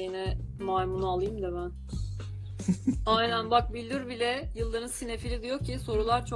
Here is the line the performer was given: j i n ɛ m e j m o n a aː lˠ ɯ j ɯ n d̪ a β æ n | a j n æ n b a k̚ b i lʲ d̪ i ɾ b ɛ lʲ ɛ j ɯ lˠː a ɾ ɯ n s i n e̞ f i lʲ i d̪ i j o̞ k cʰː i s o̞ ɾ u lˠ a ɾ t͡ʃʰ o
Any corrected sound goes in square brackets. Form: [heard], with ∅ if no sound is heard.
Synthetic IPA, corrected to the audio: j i n ɛ m [a] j m [u] n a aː lˠ ɯ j ɯ [m] d̪ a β æ n | a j n æ n b a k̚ b i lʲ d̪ i ɾ b [i] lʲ ɛ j ɯ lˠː a ɾ ɯ n s i n e̞ f i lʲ i d̪ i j o̞ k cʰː i s o̞ ɾ u lˠ a ɾ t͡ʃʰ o